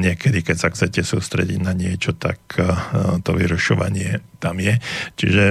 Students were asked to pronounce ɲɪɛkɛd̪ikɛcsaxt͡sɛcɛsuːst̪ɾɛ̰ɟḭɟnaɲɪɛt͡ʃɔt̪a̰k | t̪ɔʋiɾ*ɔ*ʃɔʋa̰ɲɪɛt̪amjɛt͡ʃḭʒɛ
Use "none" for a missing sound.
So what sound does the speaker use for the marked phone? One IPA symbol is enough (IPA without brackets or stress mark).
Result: u